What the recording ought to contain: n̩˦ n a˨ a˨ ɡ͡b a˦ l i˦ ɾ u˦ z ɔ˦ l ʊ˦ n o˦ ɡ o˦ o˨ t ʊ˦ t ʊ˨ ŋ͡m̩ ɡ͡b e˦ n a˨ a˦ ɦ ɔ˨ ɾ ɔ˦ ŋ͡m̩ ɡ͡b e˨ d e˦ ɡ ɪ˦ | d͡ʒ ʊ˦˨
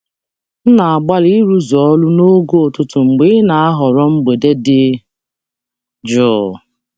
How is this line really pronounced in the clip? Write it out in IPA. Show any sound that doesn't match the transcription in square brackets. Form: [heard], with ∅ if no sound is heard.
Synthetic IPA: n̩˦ n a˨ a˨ ɡ͡b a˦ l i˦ ɾ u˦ z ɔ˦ l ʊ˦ n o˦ ɡ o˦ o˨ t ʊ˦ t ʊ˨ ŋ͡m̩ ɡ͡b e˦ n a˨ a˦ ɦ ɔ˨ ɾ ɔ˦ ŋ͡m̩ ɡ͡b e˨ d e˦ [d] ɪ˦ | d͡ʒ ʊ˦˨